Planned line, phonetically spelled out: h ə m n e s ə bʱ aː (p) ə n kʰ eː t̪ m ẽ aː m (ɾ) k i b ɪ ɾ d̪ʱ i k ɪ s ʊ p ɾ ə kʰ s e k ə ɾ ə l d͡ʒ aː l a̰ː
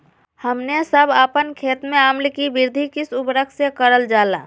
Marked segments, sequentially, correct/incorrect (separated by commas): correct, incorrect